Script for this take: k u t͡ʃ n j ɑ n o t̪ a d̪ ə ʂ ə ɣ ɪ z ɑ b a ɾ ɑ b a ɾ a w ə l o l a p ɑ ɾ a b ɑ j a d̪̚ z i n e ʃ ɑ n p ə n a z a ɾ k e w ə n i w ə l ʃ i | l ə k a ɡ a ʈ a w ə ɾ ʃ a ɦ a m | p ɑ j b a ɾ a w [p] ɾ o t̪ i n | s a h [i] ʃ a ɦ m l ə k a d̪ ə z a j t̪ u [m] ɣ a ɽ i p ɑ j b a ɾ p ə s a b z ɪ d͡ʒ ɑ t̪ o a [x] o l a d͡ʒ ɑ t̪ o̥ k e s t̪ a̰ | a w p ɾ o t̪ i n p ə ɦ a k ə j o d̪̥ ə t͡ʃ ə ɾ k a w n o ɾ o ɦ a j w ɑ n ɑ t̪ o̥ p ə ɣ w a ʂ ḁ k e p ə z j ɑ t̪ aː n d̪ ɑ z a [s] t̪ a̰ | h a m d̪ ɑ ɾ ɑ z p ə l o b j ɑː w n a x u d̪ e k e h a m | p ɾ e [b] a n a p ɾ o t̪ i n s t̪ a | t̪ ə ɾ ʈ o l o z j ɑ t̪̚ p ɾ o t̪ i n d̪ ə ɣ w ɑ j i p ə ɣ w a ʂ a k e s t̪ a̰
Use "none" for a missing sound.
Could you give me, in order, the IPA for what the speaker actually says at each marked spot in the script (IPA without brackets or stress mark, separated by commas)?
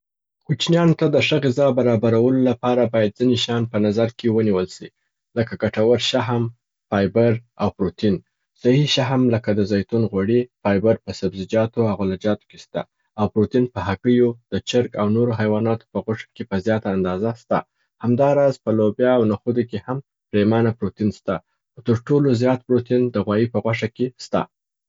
p, i, n, ɣ, s, m